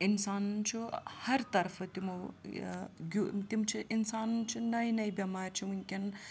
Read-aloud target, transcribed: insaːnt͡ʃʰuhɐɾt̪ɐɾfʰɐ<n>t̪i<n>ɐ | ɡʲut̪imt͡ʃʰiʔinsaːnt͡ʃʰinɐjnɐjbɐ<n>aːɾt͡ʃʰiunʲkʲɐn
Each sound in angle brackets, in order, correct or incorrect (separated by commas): incorrect, incorrect, incorrect